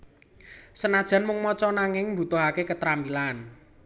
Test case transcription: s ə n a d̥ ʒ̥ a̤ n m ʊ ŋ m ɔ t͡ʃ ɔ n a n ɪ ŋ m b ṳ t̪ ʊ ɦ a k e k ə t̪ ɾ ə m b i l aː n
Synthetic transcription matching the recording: s ə n a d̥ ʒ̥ a̤ n m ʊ ŋ m ɔ t͡ʃ ɔ n a ŋ ɪ ŋ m b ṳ t̪ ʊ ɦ a k e k ə t̪ ɾ a m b i l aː n